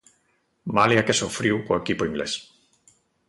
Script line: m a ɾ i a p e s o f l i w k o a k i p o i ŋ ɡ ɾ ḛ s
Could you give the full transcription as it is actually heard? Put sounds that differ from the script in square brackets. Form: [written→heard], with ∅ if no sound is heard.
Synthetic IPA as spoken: m a [ɾ→l] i a [p→k] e s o f [l→ɾ] i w k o [a→e] k i p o i ŋ ɡ [ɾ→l] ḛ s

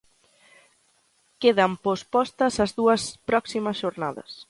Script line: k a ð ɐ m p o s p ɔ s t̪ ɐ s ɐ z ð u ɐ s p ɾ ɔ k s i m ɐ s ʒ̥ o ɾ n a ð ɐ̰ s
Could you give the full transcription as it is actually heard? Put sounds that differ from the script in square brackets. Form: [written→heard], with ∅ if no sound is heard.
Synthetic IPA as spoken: k [a→e] ð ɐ m p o s p ɔ s t̪ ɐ s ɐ z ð u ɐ s p ɾ ɔ k s i m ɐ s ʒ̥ o ɾ n a ð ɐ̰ s

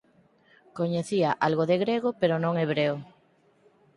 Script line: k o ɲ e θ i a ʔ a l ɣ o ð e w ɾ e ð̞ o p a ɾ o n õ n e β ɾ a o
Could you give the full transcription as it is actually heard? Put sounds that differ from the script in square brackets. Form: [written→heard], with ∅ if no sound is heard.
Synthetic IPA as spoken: k o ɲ e θ i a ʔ a l ɣ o ð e [w→ɣ] ɾ e [ð̞→ɣ̞] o p [a→e] ɾ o n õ [n→ŋ] e β ɾ [a→e] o

